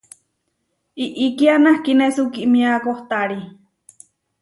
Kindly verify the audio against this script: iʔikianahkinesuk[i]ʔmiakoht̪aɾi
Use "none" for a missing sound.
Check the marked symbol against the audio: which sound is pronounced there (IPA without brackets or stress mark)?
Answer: i